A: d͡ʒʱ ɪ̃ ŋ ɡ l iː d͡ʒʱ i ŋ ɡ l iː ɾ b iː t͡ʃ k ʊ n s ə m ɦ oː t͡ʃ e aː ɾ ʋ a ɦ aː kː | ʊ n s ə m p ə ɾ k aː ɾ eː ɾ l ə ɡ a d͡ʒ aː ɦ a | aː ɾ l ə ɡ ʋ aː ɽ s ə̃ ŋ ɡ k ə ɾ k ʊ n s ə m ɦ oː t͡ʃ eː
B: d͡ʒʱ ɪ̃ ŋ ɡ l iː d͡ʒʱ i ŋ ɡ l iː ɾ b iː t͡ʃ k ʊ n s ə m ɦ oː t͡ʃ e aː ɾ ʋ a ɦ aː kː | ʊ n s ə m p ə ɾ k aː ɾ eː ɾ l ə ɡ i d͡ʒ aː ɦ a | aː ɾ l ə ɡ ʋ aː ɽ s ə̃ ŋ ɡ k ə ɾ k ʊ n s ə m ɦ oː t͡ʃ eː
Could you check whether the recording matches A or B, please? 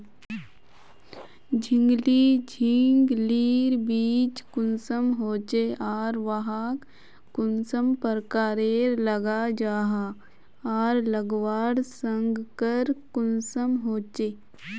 A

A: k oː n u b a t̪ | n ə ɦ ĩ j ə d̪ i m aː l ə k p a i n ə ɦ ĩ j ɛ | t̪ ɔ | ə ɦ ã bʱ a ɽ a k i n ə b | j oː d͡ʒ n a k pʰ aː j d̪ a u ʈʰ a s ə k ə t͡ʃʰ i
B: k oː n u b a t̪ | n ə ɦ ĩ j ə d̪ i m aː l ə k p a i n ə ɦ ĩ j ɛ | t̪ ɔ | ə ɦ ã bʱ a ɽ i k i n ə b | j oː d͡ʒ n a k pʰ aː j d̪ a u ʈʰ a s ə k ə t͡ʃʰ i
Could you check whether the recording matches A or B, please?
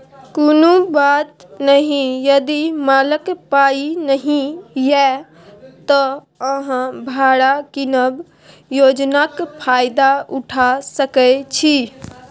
A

